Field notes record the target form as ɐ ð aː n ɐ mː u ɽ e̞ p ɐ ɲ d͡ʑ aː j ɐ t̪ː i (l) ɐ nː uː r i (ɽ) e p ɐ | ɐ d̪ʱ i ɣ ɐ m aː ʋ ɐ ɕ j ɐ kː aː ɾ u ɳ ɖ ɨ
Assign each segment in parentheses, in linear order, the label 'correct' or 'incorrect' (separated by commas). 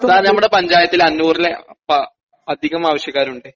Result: correct, incorrect